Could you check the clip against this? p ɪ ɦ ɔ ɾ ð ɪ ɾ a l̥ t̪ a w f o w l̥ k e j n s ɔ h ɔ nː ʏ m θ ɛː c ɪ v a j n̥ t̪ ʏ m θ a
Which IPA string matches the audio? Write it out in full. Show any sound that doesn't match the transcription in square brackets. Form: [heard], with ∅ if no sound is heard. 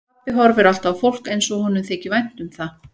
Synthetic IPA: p ɪ ɦ ɔ ɾ [v] ɪ ɾ a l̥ t̪ a w f o w l̥ k e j n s ɔ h ɔ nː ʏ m θ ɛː c ɪ v a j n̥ t̪ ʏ m θ a

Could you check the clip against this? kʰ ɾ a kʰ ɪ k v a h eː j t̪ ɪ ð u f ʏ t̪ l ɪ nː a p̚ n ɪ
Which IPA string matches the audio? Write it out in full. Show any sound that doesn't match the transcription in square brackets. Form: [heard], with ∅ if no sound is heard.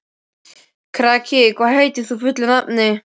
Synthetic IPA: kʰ ɾ a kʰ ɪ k v a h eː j t̪ ɪ [θ] u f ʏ t̪ l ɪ [n] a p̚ n ɪ

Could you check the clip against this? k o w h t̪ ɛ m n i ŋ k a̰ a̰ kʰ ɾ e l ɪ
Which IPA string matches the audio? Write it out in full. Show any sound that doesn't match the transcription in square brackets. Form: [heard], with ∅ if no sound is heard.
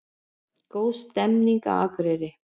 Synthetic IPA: k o w [s] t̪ ɛ m n i ŋ k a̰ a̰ [k] ɾ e [ɾ] ɪ

